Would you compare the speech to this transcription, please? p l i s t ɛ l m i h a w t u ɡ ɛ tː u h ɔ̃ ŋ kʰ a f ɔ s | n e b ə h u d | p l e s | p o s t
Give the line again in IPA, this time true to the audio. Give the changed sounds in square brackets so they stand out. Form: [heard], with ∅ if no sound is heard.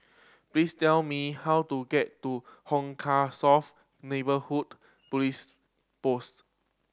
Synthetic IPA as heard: p l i s t ɛ l m i h a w t u ɡ ɛ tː u h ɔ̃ ŋ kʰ a [s] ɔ [f] | n e b ə h u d | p l [i] s | p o s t